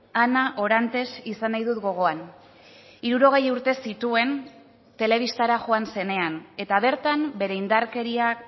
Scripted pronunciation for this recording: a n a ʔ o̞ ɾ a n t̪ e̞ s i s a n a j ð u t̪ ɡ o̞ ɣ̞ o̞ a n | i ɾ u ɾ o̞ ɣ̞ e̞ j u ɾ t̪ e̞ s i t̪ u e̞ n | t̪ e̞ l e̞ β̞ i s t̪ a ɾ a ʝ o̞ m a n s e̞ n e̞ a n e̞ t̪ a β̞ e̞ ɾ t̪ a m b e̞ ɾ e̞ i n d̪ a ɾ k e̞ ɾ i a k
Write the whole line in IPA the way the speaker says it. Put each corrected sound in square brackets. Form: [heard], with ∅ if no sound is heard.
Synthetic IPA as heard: a n a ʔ o̞ ɾ a n t̪ e̞ s i s a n a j ð u t̪ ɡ o̞ ɣ̞ o̞ a n | i ɾ u ɾ o̞ ɣ̞ e̞ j u ɾ t̪ e̞ s i t̪ u e̞ n | t̪ e̞ l e̞ β̞ i s t̪ a ɾ a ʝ o̞ [∅] a n s e̞ n e̞ a n e̞ t̪ a β̞ e̞ ɾ t̪ a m b e̞ ɾ e̞ i n d̪ a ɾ k e̞ ɾ i a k

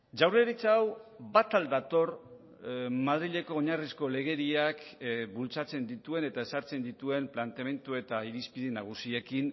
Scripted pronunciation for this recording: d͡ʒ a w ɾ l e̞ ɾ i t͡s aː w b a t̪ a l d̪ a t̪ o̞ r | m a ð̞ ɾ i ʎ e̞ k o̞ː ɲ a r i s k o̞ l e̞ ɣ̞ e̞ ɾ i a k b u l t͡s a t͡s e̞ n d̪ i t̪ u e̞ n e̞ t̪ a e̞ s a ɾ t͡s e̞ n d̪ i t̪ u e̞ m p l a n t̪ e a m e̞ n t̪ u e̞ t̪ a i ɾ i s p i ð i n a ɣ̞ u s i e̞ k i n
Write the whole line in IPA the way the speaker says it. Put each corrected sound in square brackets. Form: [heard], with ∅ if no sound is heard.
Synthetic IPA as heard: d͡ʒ a w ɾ l e̞ ɾ i t͡s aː w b a t̪ a l d̪ a t̪ o̞ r | m a ð̞ ɾ i ʎ e̞ k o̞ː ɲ a r i s k o̞ l e̞ ɣ̞ e̞ ɾ i a k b u l t͡s a t͡s e̞ n d̪ i t̪ u e̞ n e̞ t̪ a e̞ s a ɾ t͡s e̞ n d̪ i t̪ u e̞ m p l a n t̪ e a m e̞ n t̪ u e̞ t̪ a i ɾ i s p i ð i n a ɣ̞ u s i e̞ k i n

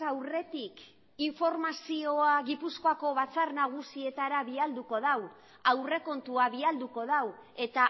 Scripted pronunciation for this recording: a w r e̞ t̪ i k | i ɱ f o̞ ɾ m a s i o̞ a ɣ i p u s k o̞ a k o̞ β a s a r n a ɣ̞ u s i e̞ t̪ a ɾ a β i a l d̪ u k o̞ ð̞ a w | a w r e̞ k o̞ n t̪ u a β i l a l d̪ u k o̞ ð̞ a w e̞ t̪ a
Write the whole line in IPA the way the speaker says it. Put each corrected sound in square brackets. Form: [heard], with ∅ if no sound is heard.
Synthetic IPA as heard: a w r e̞ t̪ i k | i ɱ f o̞ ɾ m a s i o̞ a ɣ i p u s k o̞ a k o̞ β a [t͡s] a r n a ɣ̞ u s i e̞ t̪ a ɾ a β i a l d̪ u k o̞ ð̞ a w | a w r e̞ k o̞ n t̪ u a β i [∅] a l d̪ u k o̞ ð̞ a w e̞ t̪ a

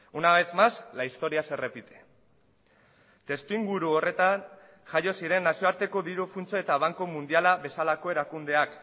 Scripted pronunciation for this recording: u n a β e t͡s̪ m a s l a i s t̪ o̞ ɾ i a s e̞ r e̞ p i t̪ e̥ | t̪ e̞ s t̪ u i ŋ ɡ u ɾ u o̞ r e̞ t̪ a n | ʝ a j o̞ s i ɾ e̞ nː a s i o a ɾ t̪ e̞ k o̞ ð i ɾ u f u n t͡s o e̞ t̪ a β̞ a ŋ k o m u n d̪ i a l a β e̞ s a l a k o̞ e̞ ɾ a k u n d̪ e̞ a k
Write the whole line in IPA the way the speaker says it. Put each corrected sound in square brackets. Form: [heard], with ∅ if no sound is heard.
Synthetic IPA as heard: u n a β e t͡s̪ m a s l a i s t̪ o̞ ɾ i a s e̞ r e̞ p i t̪ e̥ | t̪ e̞ s t̪ u i ŋ ɡ u ɾ u o̞ r e̞ t̪ a n | ʝ a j o̞ s i ɾ e̞ nː a s i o a ɾ t̪ e̞ k o̞ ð i ɾ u f u n t͡s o e̞ t̪ a β̞ a ŋ k o m u n d̪ i a l a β e̞ s a l a k o̞ e̞ ɾ a k u n d̪ e̞ a k

